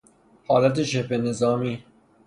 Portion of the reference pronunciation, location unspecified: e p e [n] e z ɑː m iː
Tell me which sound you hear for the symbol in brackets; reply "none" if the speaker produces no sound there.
n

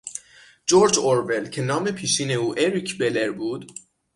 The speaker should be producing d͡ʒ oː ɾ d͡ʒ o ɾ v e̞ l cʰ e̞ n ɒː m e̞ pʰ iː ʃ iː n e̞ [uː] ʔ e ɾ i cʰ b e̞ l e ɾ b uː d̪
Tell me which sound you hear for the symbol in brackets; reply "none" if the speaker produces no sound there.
uː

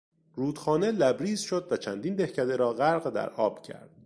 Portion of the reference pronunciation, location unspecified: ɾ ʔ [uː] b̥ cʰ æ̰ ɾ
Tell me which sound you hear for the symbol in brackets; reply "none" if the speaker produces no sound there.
ɒː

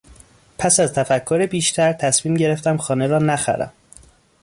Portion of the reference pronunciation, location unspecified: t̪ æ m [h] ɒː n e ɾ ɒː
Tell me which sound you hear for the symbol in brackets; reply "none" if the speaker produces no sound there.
x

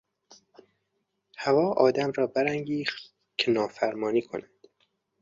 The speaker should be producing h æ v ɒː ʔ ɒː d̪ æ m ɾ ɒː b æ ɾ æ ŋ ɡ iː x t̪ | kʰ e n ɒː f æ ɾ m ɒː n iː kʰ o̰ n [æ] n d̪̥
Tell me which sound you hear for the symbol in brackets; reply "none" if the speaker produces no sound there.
æ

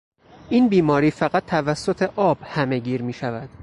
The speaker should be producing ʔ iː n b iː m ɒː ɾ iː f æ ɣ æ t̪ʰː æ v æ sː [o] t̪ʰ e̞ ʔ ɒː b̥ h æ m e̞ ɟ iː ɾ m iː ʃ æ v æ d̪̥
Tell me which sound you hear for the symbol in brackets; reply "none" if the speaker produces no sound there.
o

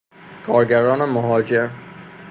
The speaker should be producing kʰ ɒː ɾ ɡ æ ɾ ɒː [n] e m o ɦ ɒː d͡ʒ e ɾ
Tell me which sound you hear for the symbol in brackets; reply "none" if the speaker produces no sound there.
n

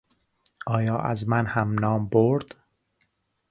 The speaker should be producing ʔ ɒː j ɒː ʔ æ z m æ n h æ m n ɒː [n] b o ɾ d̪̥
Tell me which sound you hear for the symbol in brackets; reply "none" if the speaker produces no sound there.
m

